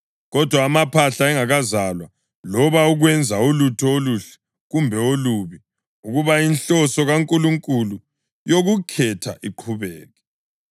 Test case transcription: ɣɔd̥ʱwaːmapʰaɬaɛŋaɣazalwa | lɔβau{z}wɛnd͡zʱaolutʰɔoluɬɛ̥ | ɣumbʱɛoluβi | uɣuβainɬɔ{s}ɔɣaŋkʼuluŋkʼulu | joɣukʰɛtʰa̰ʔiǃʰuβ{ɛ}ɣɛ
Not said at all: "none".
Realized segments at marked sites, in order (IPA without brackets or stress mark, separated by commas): ɣ, s, ɛː